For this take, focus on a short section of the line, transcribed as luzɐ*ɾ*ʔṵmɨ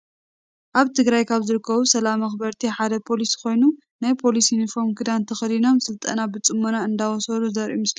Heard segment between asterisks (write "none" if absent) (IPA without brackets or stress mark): ɾ